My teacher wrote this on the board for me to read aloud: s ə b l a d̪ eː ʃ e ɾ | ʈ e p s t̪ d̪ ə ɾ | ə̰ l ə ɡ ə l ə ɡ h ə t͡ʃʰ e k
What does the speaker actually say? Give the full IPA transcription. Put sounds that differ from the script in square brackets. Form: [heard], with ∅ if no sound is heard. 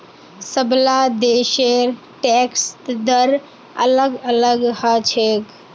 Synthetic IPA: s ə b l a d̪ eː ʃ e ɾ | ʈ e [k] s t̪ d̪ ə ɾ | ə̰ l ə ɡ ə l ə ɡ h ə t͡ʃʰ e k